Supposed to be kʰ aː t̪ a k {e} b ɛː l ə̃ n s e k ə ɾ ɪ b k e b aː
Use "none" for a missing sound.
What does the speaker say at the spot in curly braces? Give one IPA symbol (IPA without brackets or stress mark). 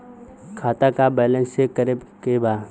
a